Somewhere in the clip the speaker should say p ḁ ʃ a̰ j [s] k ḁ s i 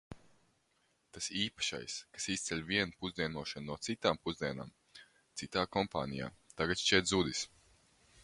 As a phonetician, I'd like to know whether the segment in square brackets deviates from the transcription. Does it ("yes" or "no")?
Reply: no